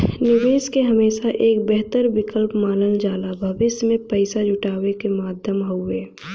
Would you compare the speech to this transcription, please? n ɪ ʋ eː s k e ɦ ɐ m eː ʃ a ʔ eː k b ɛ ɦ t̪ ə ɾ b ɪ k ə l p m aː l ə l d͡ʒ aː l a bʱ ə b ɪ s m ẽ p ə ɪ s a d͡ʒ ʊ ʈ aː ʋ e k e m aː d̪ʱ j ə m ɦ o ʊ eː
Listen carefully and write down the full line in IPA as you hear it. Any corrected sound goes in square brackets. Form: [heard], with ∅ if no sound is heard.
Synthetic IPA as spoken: n ɪ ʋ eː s k e ɦ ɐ m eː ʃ a ʔ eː k b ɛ ɦ t̪ ə ɾ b ɪ k ə l p m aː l ə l d͡ʒ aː l a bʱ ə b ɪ s m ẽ p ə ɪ s a d͡ʒ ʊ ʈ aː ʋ e k e m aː d̪ʱ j ə m ɦ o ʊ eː